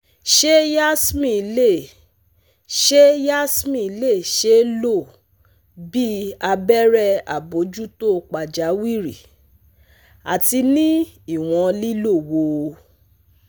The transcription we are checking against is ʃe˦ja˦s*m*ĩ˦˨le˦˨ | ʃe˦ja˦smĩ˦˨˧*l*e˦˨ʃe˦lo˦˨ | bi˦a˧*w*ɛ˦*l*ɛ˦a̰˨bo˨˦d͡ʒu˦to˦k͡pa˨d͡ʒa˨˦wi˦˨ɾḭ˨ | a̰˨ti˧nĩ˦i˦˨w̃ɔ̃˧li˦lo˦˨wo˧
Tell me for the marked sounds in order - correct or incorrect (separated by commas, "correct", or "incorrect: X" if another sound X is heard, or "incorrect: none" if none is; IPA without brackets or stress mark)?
correct, correct, incorrect: b, incorrect: ɾ